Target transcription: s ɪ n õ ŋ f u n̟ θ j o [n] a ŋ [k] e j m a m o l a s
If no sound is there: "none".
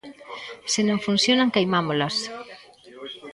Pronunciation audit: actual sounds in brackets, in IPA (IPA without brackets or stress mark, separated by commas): n, k